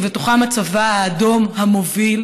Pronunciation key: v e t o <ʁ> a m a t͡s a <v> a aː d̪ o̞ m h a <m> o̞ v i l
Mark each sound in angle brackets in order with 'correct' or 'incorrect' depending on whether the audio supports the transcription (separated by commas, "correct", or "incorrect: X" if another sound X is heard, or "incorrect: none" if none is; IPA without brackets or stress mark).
incorrect: χ, correct, correct